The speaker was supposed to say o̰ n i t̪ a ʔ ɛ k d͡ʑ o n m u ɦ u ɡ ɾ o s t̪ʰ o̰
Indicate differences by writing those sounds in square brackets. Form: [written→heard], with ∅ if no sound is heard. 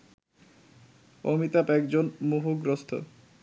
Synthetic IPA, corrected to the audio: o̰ [n→m] i t̪ a [ʔ→p] ɛ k d͡ʑ o n m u ɦ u ɡ ɾ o s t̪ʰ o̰